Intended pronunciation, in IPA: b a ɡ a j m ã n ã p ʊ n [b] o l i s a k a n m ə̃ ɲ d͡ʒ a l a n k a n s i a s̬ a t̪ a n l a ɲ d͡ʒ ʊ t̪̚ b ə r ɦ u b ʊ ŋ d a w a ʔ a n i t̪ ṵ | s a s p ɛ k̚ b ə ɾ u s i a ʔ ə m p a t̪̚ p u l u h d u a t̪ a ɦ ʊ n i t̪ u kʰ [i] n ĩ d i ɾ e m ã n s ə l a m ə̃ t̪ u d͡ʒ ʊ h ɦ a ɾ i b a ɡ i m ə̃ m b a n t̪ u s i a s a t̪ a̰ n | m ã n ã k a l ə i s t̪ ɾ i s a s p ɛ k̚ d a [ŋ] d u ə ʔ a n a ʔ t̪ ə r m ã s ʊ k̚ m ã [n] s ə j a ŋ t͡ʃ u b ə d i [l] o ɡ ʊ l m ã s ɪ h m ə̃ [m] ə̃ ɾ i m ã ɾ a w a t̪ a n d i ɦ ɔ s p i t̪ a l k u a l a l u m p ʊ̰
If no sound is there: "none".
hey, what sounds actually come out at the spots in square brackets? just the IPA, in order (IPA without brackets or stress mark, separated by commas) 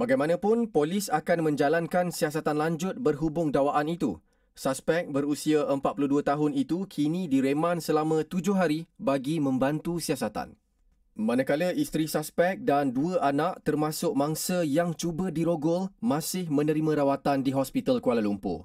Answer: p, i, n, ŋ, ɾ, n